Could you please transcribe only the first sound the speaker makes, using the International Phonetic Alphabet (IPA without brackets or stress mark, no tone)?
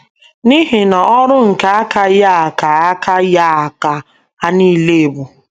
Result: n